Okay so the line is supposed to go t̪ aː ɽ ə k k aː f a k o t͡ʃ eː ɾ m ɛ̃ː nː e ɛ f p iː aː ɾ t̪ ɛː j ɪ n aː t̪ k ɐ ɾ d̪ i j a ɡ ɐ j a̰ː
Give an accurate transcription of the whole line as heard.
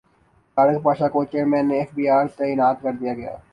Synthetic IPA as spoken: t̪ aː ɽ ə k p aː ʃ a k o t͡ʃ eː ɾ m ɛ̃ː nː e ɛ f b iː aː ɾ t̪ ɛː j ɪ n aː t̪ k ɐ ɾ d̪ i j a ɡ ɐ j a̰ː